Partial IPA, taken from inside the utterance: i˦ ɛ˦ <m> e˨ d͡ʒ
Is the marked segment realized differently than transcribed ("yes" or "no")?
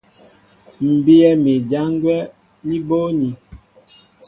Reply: no